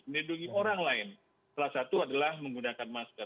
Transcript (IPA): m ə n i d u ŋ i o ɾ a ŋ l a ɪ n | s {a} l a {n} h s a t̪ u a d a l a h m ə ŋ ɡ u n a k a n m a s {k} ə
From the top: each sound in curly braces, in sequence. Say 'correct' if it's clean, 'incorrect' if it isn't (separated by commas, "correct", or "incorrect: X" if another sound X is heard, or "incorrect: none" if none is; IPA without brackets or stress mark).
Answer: correct, incorrect: none, correct